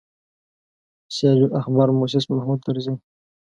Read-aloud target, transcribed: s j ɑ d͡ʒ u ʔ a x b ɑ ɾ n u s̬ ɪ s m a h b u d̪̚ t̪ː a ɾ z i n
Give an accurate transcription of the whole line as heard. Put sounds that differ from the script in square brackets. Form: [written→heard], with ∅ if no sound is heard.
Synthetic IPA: s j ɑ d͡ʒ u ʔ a x b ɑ ɾ [n→m] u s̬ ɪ s m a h [b→m] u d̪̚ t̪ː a ɾ z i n